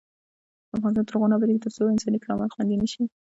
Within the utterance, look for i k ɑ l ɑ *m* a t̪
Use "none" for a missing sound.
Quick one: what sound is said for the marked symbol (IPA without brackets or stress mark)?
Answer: m